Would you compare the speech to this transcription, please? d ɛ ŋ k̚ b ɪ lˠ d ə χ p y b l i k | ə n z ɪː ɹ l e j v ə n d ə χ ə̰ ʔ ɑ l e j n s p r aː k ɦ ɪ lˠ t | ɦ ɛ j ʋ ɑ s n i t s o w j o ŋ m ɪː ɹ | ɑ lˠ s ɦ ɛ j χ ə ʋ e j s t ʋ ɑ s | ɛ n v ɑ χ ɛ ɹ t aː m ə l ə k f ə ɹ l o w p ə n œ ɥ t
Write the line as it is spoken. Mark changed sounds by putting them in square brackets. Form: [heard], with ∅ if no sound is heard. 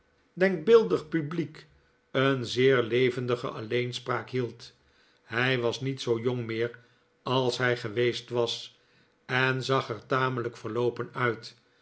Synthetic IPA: d ɛ ŋ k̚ b ɪ lˠ d ə χ p y b l i k | ə n z ɪː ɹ l e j v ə n d ə χ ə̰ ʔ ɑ l e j n s p r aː k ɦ [i] lˠ t | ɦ ɛ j ʋ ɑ s n i t s o w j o ŋ m ɪː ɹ | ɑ lˠ s ɦ ɛ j χ ə ʋ e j s t ʋ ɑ s | ɛ n [z] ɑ χ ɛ ɹ t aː m ə l ə k f ə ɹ l o w p ə n œ ɥ t

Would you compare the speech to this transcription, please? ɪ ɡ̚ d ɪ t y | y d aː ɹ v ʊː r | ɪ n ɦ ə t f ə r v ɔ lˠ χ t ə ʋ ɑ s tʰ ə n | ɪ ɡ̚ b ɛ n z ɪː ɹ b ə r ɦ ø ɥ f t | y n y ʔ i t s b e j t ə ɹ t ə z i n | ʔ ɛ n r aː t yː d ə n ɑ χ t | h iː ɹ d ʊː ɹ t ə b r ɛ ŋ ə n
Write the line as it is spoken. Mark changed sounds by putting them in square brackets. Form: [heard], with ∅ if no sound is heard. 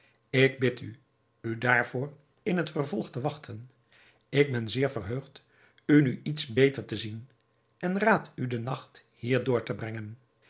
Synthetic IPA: ɪ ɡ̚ [b] ɪ t y | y d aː ɹ v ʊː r | ɪ n ɦ ə t f ə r v ɔ lˠ χ t ə ʋ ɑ [χ] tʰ ə n | ɪ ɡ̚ b ɛ n z ɪː ɹ [v] ə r ɦ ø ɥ [χ] t | y n y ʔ i t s b e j t ə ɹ t ə z i n | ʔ ɛ n r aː t [y] d ə n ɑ χ t | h iː ɹ d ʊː ɹ t ə b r ɛ ŋ ə n

